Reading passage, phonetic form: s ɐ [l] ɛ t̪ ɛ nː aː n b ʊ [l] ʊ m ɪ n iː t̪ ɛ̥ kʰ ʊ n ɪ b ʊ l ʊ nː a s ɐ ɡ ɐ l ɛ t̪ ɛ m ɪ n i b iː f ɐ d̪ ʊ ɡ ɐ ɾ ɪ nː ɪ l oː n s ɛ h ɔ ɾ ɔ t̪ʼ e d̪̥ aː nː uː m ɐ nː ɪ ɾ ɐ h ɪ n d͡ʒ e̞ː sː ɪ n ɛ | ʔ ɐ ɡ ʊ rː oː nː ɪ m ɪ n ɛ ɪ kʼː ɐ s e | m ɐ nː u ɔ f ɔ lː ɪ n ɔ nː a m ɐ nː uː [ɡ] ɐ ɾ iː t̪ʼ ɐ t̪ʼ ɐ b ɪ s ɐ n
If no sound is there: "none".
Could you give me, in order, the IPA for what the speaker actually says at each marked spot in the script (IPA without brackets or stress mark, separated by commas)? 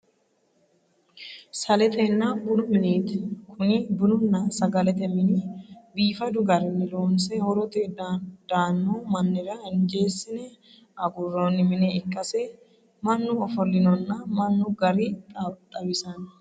l, l, ɡ